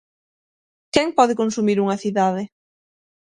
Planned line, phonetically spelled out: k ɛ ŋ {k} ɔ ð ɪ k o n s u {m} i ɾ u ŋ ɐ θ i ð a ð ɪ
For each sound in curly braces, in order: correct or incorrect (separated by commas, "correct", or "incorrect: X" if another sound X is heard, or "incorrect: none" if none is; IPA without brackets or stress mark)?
incorrect: p, correct